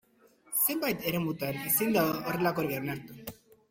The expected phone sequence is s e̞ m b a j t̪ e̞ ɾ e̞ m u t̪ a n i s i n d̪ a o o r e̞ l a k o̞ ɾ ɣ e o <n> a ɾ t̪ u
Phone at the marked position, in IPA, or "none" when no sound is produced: n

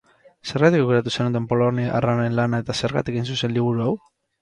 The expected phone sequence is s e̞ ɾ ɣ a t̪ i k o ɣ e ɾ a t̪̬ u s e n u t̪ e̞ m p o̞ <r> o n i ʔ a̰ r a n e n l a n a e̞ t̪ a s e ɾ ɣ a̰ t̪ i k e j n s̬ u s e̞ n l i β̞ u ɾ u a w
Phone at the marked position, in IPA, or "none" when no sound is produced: l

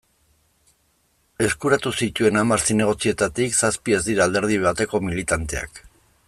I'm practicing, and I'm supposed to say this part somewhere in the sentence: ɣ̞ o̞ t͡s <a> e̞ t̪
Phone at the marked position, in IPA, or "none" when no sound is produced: i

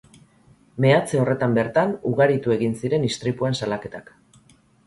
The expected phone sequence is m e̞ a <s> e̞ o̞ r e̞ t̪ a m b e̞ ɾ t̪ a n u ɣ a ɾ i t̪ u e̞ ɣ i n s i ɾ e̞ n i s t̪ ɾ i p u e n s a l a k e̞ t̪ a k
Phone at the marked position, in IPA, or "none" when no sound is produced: t͡s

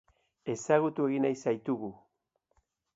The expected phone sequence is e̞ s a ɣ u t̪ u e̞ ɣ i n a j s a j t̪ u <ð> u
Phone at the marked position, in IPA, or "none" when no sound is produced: ɣ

